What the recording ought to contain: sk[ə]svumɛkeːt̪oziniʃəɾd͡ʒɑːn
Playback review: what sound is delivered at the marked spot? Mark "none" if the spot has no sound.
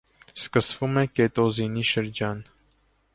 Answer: ə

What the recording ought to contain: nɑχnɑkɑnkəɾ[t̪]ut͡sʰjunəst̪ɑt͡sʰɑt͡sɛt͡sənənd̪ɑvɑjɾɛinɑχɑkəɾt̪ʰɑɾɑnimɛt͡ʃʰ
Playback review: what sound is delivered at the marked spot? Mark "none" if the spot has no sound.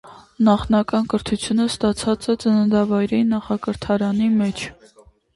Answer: t̪ʰ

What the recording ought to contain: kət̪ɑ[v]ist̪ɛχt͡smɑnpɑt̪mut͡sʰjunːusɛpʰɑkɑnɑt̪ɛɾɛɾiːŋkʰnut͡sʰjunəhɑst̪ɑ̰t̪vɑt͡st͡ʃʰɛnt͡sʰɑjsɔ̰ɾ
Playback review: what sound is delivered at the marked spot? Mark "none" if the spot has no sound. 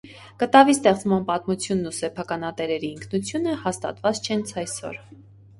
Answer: v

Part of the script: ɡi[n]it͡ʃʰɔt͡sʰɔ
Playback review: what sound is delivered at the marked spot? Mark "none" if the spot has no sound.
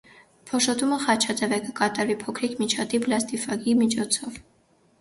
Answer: m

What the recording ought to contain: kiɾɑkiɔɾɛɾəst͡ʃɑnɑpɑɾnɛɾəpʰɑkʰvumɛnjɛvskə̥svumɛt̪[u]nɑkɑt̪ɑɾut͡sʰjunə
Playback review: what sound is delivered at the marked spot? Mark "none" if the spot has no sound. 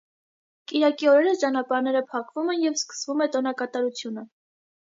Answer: ɔ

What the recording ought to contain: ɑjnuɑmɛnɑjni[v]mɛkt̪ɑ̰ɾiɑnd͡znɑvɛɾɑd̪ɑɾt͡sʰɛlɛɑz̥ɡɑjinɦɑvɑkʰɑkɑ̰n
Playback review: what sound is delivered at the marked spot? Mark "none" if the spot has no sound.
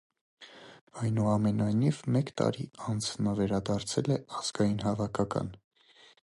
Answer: v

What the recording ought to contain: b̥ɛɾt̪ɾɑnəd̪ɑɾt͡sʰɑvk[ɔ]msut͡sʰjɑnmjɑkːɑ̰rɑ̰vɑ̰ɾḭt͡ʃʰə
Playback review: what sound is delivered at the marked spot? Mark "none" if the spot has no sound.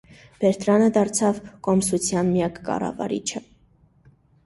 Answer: ɔ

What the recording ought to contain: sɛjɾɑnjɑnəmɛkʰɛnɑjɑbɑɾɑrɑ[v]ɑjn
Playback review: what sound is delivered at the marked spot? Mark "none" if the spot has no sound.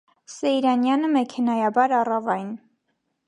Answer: v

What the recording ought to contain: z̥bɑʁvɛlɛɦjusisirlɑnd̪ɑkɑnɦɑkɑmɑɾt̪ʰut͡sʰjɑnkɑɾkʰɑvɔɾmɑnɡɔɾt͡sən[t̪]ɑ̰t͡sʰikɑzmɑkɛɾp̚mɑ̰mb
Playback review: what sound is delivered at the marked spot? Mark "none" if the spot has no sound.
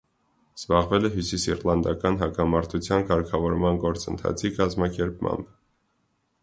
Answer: t̪ʰ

